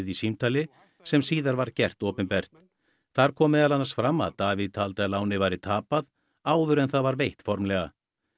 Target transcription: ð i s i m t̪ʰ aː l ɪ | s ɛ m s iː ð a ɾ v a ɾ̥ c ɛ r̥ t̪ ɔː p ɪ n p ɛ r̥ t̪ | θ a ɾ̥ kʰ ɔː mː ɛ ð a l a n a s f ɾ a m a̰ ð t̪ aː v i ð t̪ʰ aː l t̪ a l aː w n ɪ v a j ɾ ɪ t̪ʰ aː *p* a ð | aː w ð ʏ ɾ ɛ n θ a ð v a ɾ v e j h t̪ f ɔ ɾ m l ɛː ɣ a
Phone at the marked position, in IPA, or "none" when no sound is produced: p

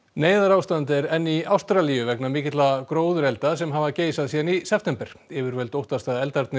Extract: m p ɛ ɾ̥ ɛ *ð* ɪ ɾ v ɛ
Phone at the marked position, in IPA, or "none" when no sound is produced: v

